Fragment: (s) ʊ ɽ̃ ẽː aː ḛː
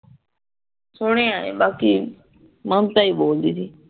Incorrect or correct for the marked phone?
correct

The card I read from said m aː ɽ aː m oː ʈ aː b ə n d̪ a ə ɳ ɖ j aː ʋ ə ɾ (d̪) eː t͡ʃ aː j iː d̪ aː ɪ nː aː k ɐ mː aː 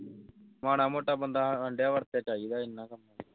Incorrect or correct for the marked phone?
incorrect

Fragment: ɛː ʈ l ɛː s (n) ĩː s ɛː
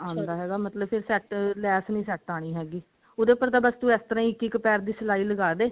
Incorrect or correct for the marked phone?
correct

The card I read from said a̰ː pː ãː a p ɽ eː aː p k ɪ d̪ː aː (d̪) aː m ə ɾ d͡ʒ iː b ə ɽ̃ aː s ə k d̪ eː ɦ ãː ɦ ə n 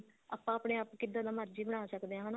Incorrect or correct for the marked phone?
correct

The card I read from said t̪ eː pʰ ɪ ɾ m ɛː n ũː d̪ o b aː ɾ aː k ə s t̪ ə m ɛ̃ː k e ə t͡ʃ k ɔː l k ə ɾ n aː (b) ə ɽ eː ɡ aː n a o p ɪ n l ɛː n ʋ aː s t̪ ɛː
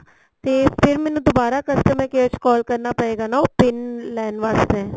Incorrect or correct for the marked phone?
incorrect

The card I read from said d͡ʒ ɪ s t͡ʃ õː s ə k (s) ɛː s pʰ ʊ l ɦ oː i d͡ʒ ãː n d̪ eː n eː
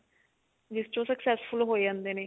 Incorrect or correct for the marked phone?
correct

